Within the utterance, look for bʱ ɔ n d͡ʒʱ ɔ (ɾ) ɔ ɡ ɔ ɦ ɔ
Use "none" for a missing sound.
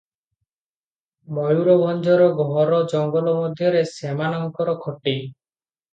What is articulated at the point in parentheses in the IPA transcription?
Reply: ɾ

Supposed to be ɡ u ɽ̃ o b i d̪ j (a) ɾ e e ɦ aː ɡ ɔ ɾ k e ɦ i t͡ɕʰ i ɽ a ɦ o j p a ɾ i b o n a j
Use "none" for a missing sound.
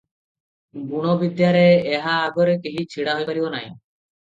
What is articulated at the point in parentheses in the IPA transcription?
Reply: a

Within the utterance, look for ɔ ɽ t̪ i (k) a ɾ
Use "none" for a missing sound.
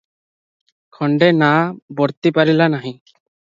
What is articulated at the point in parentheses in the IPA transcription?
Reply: p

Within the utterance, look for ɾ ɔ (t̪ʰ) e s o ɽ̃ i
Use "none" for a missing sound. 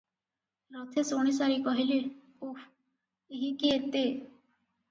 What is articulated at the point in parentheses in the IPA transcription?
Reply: t̪ʰ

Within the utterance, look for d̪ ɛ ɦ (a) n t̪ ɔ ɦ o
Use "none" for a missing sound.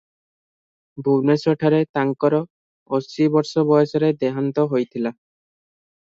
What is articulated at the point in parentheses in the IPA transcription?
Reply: a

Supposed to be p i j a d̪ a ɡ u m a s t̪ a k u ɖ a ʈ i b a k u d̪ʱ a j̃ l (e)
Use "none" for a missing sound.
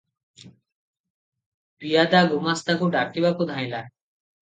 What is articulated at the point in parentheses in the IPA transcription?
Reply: a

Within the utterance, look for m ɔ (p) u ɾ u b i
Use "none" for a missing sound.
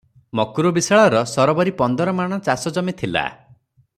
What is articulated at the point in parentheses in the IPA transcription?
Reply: k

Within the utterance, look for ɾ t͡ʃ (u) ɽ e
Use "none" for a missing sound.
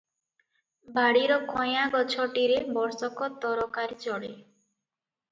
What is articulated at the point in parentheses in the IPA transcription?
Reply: ɔ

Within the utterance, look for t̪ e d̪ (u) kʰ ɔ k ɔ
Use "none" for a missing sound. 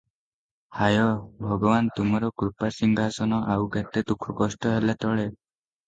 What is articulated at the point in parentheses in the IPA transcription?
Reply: u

